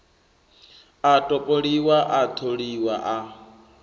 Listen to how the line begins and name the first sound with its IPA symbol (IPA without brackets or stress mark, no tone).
a